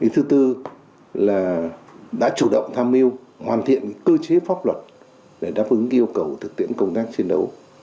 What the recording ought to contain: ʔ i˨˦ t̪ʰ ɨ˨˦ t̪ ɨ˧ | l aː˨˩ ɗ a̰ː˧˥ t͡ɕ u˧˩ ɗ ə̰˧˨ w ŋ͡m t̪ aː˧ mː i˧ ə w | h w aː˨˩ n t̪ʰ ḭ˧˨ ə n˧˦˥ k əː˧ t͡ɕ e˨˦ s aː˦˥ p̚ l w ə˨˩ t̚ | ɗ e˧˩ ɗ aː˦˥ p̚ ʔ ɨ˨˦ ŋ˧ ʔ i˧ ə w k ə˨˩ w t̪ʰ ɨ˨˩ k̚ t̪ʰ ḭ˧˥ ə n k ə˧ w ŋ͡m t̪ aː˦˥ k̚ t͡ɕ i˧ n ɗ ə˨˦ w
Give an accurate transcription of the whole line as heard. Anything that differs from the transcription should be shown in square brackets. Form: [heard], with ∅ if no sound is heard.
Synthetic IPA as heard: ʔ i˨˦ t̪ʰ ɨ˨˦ t̪ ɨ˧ | l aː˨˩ ɗ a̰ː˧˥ t͡ɕ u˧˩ ɗ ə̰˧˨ w ŋ͡m [t̪ʰ] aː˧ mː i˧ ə w | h w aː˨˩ n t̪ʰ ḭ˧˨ ə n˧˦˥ k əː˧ t͡ɕ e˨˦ [f] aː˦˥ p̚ l w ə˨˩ t̚ | ɗ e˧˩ ɗ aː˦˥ p̚ ʔ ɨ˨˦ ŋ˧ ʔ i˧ ə w k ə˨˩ w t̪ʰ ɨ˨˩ k̚ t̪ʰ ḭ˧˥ ə n k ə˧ w ŋ͡m t̪ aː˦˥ k̚ t͡ɕ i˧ n ɗ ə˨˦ w